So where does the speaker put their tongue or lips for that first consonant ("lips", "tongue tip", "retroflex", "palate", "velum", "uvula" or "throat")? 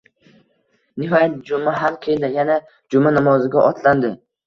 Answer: tongue tip